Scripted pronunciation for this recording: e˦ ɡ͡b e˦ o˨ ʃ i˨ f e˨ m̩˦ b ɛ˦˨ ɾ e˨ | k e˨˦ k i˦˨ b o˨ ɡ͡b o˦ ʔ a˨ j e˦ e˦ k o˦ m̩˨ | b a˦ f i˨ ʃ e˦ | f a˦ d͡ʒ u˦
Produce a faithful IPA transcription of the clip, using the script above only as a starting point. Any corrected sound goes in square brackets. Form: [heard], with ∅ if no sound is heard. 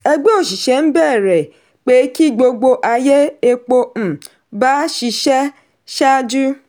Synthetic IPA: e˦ ɡ͡b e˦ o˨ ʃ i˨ [ʃ] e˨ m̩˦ b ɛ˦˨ ɾ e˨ | [k͡p] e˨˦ k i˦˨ [ɡ͡b] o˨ ɡ͡b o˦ ʔ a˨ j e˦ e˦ [k͡p] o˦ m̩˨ | b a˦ [ʃ] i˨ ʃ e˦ | [ʃ] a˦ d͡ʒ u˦